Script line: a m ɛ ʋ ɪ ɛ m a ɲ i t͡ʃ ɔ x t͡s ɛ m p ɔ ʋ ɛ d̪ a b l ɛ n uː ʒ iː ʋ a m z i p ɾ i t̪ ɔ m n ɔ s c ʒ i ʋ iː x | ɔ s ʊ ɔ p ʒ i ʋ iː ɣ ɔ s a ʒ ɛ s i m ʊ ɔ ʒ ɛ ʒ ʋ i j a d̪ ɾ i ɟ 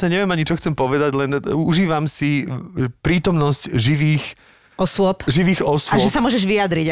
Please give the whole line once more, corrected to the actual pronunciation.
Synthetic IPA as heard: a ɲ ɛ ʋ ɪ ɛ m a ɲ i t͡ʃ ɔ x t͡s ɛ m p ɔ ʋ ɛ d̪ a ɟ l ɛ n u ʒ iː ʋ a m s i p ɾ iː t̪ ɔ m n ɔ s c ʒ i ʋ iː x | ɔ s ʊ ɔ p ʒ i ʋ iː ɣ ɔ s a ʒ ɛ s a m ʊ ɔ ʒ ɛ ʒ ʋ i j a d̪ ɾ i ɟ